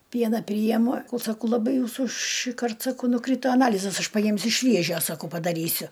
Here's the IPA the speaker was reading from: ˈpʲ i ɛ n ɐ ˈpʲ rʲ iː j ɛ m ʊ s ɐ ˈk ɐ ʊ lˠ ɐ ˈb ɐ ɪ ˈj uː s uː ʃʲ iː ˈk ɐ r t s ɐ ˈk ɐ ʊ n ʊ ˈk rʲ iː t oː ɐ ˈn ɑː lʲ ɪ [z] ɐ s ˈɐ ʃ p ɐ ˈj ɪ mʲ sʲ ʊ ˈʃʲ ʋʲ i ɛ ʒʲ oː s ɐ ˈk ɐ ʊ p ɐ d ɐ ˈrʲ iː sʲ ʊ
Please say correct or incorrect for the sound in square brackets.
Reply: correct